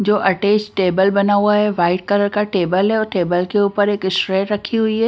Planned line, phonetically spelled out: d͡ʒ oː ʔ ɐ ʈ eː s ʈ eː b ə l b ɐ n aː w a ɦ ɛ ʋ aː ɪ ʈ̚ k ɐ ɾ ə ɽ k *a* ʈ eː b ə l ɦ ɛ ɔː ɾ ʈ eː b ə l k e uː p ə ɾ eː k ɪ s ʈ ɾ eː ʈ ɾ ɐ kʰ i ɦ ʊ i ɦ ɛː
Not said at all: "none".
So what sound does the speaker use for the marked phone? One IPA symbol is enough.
a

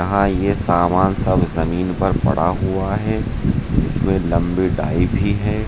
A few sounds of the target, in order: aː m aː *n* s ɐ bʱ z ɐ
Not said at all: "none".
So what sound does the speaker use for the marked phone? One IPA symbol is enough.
n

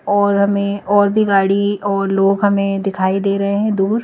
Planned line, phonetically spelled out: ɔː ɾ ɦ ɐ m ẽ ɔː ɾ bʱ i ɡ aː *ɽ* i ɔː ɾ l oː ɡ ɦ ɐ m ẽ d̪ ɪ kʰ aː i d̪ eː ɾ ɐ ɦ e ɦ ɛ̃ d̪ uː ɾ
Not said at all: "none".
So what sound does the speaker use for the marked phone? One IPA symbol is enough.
ɽ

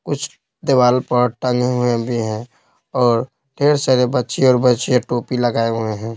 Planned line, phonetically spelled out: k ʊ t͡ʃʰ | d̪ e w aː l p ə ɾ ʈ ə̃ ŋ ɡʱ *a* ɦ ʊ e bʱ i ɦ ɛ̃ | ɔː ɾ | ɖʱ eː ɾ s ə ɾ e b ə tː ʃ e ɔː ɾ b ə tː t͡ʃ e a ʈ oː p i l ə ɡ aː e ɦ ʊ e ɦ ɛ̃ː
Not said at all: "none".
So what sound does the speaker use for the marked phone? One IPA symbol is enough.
e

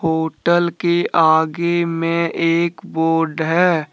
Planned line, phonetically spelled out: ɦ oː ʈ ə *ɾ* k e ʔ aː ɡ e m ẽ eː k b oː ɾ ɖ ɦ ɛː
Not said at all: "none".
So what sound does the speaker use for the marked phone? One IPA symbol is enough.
l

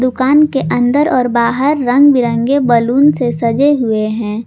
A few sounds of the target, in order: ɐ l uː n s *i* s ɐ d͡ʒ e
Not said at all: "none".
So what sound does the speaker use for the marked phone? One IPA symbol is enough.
e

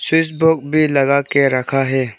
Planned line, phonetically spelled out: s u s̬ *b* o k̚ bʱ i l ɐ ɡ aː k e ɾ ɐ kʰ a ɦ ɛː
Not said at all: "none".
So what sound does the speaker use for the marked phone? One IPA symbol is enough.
b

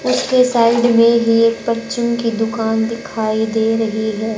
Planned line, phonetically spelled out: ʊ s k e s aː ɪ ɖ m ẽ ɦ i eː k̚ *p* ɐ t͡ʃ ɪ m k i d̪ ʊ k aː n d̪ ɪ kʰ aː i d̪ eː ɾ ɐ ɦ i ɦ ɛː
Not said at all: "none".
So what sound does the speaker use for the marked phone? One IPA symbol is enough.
p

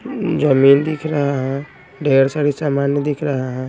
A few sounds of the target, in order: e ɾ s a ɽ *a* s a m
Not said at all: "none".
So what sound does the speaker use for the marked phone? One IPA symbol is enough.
i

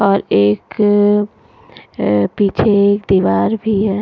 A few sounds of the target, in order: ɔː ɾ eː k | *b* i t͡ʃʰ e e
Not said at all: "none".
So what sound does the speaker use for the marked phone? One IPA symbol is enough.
p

